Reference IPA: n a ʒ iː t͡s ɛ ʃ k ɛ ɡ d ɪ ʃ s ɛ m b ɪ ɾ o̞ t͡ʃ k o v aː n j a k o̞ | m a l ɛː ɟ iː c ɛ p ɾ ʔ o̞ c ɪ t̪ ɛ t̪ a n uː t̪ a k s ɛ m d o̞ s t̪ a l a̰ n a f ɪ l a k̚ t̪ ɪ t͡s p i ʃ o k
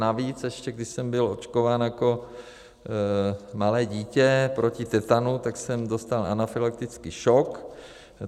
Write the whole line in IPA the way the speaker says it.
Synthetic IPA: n a v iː t͡s ɛ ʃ c ɛ ɡ d ɪ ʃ s ɛ m b ɪ l o̞ t͡ʃ k o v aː n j a k o̞ | m a l ɛː ɟ iː c ɛ p ɾ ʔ o̞ c ɪ t̪ ɛ t̪ a n u t̪ a k s ɛ m d o̞ s t̪ a l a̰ n a f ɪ l a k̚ t̪ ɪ t͡s k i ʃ o k